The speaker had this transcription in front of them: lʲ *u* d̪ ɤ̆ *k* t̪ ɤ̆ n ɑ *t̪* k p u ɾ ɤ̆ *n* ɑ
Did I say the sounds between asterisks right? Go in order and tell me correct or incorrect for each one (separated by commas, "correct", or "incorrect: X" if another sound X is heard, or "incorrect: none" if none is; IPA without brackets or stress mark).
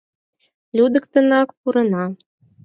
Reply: correct, correct, incorrect: none, correct